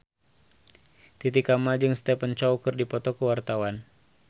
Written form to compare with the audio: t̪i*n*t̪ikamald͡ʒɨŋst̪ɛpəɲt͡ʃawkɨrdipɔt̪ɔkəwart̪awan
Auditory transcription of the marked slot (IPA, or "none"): none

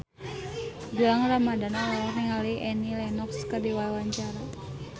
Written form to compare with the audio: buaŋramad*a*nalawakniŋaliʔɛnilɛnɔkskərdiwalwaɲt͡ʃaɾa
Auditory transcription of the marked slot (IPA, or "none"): a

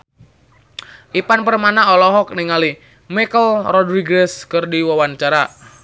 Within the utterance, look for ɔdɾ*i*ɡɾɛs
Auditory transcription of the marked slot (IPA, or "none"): i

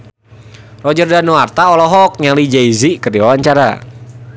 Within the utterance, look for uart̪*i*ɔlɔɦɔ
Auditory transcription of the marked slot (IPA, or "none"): a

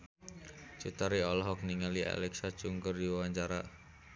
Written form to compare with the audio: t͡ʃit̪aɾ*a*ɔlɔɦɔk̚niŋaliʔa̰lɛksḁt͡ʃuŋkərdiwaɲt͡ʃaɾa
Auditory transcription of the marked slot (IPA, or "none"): i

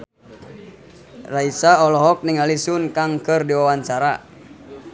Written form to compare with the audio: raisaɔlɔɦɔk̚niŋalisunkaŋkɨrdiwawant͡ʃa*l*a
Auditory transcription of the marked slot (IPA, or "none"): ɾ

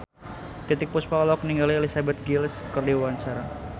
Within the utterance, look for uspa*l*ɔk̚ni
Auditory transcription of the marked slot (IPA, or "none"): l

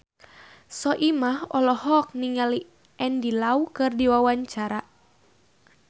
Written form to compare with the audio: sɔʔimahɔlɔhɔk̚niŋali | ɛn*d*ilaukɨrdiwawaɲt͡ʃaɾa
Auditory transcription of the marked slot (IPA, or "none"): d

